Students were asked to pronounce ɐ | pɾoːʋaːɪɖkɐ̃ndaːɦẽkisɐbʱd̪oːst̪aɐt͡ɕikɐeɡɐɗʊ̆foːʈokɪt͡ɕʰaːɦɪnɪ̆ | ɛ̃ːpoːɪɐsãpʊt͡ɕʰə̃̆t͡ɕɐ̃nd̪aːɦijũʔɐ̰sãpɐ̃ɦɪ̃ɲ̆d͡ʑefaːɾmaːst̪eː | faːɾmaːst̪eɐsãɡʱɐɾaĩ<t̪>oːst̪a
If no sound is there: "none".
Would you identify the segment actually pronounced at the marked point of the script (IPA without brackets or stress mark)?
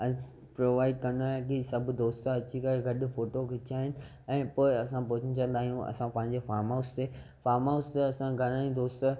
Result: d̪